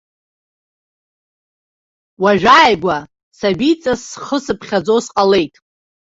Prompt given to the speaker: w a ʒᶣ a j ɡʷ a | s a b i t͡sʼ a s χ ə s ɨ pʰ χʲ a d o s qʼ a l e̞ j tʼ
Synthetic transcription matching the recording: w a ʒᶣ a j ɡʷ a | s a b i t͡sʼ a s χ ə s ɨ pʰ χʲ a d͡z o s qʼ a l e̞ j tʼ